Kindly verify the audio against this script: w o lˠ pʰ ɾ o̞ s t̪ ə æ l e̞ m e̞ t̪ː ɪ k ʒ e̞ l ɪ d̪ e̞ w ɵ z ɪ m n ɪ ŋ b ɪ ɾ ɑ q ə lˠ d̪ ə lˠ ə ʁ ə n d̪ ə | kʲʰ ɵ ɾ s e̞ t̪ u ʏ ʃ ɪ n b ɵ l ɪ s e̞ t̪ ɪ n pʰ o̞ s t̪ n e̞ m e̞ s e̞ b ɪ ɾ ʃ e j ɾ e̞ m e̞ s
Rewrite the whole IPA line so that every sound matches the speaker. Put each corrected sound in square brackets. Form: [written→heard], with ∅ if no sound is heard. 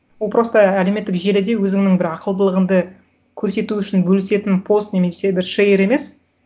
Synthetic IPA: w o lˠ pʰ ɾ o̞ s t̪ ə æ l e̞ m e̞ t̪ː ɪ k ʒ e̞ l ɪ d̪ e̞ w ɵ z ɪ [m→ŋ] n ɪ ŋ b ɪ ɾ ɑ q ə lˠ d̪ ə lˠ ə ʁ ə n d̪ ə | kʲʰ ɵ ɾ s e̞ t̪ u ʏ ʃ ɪ n b ɵ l ɪ s e̞ t̪ ɪ n pʰ o̞ s t̪ n e̞ m e̞ s e̞ b ɪ ɾ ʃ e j ɾ e̞ m e̞ s